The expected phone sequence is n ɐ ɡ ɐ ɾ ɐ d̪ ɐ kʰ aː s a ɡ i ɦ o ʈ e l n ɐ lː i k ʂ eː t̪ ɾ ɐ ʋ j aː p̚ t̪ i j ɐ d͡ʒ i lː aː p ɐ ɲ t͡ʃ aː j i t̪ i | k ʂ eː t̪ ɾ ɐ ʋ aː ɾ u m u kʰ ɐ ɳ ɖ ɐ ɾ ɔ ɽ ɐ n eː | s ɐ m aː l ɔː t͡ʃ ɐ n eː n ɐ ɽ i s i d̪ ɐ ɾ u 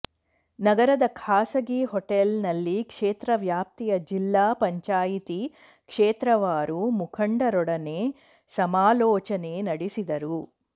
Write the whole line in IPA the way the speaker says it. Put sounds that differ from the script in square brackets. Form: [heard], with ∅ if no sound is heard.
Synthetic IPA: n ɐ ɡ ɐ ɾ ɐ d̪ ɐ kʰ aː s [ɐ] ɡ i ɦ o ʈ e l n ɐ lː i k ʂ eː t̪ ɾ ɐ ʋ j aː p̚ t̪ i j ɐ d͡ʒ i lː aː p ɐ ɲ t͡ʃ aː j i t̪ i | k ʂ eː t̪ ɾ ɐ ʋ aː ɾ u m u kʰ ɐ ɳ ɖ ɐ ɾ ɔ ɽ ɐ n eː | s ɐ m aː l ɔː t͡ʃ ɐ n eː n ɐ ɽ i s i d̪ ɐ ɾ u